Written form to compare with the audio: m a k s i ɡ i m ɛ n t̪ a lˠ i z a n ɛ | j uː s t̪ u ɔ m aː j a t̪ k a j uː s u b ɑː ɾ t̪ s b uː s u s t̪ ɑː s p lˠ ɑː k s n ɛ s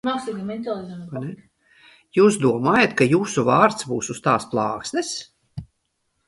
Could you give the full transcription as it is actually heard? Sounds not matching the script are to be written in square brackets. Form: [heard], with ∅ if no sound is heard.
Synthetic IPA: m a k s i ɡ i m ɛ n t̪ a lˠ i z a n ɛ | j uː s [d̪] u ɔ m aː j a t̪ k a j uː s u [v] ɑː ɾ t̪ s b uː s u s t̪ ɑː s p lˠ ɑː k s n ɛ s

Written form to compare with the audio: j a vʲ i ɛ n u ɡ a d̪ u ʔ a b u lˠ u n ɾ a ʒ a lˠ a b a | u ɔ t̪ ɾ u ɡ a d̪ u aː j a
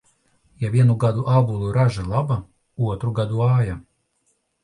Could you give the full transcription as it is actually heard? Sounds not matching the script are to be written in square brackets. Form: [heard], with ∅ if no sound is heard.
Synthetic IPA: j a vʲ i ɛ n u ɡ a d̪ u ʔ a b u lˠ u [∅] ɾ a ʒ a lˠ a b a | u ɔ t̪ ɾ u ɡ a d̪ u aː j a

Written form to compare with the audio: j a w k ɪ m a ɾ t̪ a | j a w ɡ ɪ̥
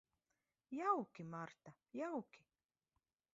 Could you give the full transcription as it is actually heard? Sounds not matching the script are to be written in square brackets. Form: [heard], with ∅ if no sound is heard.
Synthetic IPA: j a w k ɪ m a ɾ t̪ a | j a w [k] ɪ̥

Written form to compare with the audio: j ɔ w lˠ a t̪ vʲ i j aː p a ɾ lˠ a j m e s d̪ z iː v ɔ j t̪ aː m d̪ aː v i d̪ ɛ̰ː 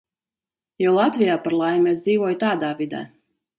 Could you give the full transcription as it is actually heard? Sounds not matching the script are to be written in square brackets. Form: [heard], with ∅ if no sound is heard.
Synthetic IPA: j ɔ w lˠ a t̪ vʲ i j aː p a ɾ lˠ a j m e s d̪ z iː v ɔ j t̪ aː [∅] d̪ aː v i d̪ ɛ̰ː

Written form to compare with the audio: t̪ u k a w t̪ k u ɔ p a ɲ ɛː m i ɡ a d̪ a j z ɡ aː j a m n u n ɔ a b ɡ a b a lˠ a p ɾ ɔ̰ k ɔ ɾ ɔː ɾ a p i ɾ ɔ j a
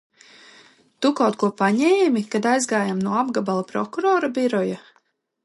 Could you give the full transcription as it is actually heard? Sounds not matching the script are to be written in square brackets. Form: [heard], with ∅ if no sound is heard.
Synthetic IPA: t̪ u k a w t̪ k u ɔ p a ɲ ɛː m i [k] a d̪ a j z ɡ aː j a m n u [∅] ɔ a b ɡ a b a lˠ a p ɾ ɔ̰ k [u] ɾ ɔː ɾ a [b] i ɾ ɔ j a

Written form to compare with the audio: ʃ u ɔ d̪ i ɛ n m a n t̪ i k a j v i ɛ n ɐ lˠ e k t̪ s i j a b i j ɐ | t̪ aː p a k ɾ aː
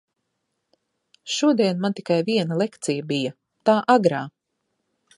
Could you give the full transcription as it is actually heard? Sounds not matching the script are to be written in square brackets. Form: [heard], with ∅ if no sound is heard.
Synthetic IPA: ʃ u ɔ d̪ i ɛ n m a n t̪ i k a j v i ɛ n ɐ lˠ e k t̪ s i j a b i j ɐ | t̪ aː [ʔ] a [ɡ] ɾ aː

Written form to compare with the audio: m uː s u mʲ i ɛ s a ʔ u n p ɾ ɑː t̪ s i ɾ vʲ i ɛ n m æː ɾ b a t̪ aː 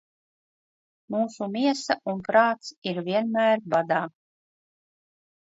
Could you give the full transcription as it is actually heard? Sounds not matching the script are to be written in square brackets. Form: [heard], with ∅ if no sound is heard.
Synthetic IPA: m uː s u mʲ i ɛ s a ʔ u n p ɾ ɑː t̪ s i ɾ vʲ i ɛ n m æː ɾ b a [d̪] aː

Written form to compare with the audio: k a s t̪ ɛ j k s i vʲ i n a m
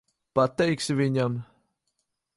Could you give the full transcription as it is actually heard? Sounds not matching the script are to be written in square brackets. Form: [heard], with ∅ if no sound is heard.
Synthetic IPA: [p] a [∅] t̪ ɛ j k s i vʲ i [ɲ] a m

